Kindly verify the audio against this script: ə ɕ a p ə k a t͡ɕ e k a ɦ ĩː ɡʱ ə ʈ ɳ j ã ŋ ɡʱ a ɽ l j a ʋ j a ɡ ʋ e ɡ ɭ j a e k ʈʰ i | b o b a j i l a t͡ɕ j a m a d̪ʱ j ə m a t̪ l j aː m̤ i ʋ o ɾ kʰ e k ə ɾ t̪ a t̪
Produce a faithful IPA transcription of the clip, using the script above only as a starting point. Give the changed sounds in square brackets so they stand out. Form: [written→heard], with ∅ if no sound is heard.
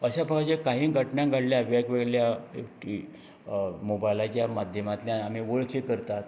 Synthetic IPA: ə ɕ a p ə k a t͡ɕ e k a ɦ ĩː ɡʱ ə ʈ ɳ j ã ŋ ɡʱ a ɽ l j a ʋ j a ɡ ʋ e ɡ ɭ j a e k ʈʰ i | [b→m] o b a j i l a t͡ɕ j a m a d̪ʱ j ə m a t̪ l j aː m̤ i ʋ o [ɾ→ɭ] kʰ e k ə ɾ t̪ a t̪